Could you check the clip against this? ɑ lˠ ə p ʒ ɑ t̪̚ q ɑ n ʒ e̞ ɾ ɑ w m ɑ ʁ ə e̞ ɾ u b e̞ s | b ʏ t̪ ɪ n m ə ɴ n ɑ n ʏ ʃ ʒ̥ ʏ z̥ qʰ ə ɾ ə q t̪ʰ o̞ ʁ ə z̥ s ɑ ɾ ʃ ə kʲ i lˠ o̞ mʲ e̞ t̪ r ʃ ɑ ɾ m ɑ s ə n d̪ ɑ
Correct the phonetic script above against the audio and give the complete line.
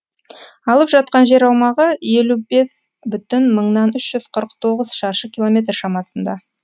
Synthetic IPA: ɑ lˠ ə p ʒ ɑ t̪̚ q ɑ n ʒ e̞ ɾ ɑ w m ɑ ʁ ə e̞ l u b e̞ s | b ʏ t̪ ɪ n m ə ɴ n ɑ n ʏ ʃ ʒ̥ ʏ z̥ qʰ ə ɾ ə q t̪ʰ o̞ ʁ ə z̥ ʃ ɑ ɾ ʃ ə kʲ i lˠ o̞ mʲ e̞ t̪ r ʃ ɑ m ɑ s ə n d̪ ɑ